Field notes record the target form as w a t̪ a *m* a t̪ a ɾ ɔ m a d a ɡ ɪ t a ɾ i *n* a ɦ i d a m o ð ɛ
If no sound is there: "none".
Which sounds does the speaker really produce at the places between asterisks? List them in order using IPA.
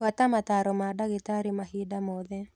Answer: m, m

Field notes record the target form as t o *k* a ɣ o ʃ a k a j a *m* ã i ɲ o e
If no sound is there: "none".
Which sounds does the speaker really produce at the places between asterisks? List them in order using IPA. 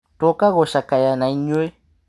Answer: k, n

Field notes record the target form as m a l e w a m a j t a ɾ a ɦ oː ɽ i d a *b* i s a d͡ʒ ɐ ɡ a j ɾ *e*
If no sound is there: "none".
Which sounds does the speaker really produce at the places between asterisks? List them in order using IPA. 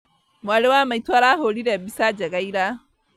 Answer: b, a

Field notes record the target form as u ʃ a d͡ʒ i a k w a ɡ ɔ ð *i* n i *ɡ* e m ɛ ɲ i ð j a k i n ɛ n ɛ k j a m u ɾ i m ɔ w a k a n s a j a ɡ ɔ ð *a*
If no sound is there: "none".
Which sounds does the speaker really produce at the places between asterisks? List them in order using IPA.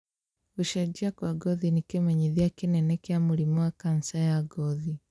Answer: i, k, i

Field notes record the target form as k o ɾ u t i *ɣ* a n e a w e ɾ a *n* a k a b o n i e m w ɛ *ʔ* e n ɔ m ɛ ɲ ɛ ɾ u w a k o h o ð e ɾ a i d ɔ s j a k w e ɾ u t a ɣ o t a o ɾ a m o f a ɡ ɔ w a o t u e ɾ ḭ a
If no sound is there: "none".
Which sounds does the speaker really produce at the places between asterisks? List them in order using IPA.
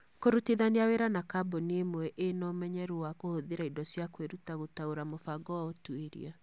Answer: ð, n, ʔ

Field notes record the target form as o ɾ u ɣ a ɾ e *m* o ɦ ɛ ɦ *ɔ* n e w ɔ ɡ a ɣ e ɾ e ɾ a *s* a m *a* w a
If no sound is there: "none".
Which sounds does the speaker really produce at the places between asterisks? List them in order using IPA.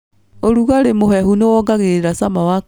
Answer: m, u, s, a

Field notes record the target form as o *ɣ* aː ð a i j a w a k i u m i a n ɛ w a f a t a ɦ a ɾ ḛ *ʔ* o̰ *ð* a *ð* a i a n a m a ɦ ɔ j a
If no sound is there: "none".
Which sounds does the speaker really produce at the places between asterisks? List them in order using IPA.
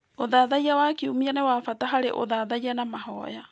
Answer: ð, ʔ, ð, ð

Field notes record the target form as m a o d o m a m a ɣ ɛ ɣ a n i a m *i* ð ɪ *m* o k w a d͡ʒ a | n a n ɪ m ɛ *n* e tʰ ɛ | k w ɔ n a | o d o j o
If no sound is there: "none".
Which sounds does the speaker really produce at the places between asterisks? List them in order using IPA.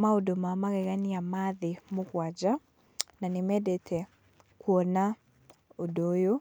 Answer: a, m, d

